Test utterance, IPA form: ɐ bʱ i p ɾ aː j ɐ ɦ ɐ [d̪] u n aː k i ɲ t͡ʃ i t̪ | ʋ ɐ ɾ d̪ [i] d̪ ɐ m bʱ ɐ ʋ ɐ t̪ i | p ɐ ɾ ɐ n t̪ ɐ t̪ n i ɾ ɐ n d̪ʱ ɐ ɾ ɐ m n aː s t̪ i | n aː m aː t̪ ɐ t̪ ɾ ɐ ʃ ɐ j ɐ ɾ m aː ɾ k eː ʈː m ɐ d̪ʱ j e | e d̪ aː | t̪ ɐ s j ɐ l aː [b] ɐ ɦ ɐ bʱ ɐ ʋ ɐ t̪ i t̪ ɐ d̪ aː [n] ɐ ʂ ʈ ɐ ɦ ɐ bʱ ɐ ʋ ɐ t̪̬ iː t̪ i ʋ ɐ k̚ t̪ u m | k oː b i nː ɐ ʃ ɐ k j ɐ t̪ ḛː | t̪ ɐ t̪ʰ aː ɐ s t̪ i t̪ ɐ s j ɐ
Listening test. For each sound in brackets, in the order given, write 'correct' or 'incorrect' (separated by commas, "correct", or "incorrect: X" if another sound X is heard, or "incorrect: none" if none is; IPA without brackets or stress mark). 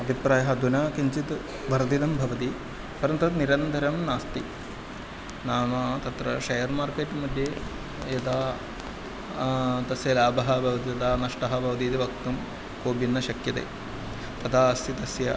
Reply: correct, correct, correct, correct